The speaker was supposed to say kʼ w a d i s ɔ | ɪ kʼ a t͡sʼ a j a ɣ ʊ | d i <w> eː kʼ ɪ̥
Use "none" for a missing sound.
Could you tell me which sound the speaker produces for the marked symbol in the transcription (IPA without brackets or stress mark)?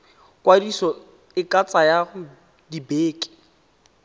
b